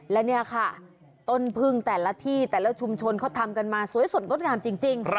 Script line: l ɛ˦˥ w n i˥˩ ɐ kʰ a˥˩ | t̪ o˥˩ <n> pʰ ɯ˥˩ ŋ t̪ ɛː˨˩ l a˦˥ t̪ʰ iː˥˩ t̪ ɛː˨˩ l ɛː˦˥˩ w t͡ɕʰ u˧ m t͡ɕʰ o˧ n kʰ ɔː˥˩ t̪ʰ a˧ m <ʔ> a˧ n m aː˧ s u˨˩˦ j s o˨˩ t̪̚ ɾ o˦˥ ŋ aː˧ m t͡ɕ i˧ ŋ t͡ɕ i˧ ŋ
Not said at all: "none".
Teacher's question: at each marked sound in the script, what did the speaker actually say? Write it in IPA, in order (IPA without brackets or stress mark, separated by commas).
n, k